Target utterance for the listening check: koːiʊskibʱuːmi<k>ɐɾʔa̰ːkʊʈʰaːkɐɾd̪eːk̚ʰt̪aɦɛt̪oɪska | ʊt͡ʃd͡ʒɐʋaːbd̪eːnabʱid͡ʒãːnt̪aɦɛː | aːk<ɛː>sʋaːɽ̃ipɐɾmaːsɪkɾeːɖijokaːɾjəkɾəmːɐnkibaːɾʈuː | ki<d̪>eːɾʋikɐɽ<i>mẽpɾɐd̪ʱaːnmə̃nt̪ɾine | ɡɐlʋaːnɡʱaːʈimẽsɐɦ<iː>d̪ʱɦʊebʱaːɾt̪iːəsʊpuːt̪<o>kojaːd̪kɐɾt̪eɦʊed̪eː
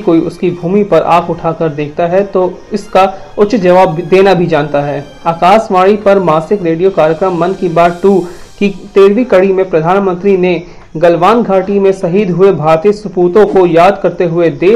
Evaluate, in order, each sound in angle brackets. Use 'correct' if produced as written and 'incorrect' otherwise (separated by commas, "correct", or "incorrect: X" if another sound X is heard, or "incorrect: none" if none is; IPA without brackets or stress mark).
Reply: incorrect: p, incorrect: aː, incorrect: t̪, correct, correct, incorrect: õ